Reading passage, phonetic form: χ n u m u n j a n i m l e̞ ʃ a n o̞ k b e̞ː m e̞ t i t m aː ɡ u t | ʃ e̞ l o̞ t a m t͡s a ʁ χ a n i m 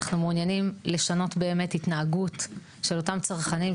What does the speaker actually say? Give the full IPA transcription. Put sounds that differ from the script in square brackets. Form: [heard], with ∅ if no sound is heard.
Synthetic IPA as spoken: χ n u m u n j a n i m l e̞ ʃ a n o̞ [t] b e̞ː m e̞ t i t [n] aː ɡ u t | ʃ e̞ l o̞ t a m t͡s a ʁ χ a n i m